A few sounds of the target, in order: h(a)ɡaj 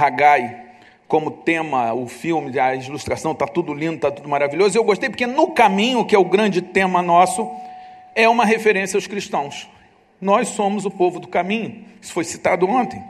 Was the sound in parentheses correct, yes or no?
yes